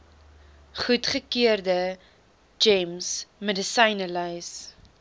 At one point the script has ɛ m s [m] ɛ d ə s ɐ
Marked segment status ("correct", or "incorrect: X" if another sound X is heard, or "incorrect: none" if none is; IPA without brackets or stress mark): correct